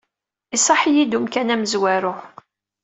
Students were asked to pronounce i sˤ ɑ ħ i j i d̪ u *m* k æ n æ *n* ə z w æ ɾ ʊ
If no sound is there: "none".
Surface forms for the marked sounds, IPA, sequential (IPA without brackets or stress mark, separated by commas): m, m